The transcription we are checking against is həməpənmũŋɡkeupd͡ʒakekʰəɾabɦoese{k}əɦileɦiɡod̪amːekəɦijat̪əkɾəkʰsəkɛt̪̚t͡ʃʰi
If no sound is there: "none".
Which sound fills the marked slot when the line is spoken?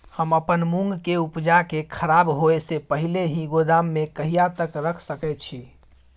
p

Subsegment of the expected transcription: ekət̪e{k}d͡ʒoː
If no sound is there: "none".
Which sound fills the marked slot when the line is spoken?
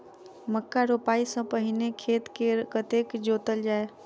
k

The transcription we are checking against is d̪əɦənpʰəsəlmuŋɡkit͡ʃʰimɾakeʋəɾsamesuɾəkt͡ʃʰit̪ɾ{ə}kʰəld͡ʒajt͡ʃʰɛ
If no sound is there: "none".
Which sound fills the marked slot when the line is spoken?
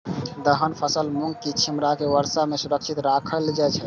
a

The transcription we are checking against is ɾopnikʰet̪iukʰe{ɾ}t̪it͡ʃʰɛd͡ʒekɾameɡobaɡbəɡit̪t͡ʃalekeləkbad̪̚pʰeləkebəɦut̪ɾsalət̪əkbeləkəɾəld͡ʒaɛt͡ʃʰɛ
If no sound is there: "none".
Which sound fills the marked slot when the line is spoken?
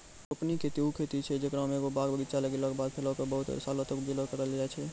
none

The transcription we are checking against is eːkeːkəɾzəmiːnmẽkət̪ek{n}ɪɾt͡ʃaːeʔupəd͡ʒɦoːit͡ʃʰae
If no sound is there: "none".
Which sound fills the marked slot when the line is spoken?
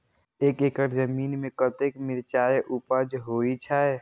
m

